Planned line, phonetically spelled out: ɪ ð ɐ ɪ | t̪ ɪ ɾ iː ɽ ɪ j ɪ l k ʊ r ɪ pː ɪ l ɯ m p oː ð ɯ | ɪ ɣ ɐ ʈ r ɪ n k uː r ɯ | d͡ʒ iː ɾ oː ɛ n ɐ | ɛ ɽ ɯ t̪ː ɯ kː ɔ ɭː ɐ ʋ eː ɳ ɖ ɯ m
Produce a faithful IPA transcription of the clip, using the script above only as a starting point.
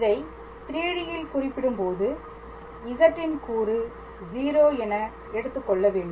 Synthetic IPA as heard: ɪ ð ɐ ɪ | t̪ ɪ ɾ iː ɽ ɪ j ɪ l k ʊ r ɪ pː ɪ ɽ ɯ m p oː ð ɯ | ɪ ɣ ɐ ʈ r ɪ n k uː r ɯ | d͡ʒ iː ɾ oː ɛ n ɐ | ɛ ɽ ɯ t̪ː ɯ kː ɔ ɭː ɐ ʋ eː ɳ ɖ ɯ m